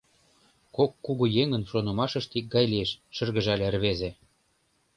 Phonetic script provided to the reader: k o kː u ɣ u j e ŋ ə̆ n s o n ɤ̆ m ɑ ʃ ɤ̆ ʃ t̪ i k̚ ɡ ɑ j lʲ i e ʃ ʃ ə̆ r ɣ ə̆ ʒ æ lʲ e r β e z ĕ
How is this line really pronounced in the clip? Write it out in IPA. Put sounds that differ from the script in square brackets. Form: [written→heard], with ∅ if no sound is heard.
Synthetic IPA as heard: k o kː u ɣ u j e ŋ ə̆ n [s→ʃ] o n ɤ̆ m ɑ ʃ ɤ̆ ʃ t̪ i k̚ ɡ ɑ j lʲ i e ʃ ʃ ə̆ r ɣ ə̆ ʒ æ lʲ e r β e z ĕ

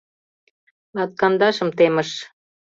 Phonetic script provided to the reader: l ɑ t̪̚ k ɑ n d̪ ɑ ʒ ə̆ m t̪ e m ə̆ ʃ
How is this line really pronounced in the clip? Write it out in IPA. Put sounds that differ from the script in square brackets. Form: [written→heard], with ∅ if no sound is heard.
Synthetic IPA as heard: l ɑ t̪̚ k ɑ n d̪ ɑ [ʒ→ʃ] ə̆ m t̪ e m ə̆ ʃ

